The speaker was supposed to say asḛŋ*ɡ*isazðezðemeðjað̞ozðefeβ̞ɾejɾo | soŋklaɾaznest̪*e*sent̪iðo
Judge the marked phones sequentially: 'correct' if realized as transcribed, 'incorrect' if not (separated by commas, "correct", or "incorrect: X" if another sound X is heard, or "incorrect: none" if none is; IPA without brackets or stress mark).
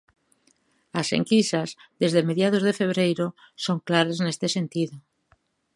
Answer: incorrect: k, correct